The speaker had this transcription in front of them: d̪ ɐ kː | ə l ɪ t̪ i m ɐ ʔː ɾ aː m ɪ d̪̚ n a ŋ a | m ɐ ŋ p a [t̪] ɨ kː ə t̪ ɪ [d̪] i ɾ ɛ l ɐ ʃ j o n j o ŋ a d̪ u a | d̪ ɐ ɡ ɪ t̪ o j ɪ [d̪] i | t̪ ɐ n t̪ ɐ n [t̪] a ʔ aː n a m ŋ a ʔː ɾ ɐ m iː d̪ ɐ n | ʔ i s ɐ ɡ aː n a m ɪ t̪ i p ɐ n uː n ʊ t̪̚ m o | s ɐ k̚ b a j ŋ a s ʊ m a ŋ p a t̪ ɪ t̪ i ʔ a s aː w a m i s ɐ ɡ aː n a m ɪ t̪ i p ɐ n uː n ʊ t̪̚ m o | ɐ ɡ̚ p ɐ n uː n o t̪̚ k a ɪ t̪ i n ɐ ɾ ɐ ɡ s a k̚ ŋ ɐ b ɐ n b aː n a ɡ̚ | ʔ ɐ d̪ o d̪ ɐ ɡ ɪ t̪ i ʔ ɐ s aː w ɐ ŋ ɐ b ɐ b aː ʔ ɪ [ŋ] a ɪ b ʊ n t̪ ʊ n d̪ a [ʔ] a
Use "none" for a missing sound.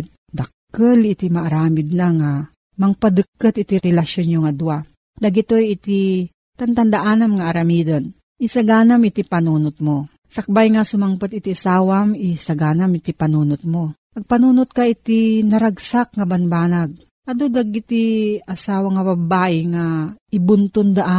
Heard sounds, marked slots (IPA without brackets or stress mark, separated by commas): d̪, t̪, t̪, d̪, ŋ, ʔ